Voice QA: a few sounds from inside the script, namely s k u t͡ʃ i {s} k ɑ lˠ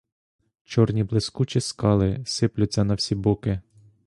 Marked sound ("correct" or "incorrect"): correct